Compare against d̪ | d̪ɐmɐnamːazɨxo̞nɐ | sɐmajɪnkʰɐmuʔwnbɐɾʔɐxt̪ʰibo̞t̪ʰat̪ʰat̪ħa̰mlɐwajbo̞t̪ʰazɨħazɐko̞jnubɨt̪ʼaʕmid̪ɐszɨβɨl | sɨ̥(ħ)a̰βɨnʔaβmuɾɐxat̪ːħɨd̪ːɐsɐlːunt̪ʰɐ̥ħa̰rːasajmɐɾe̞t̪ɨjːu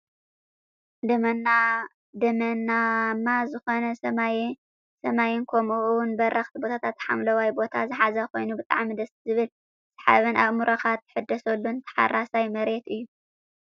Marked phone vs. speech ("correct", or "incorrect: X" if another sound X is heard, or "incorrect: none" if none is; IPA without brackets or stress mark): correct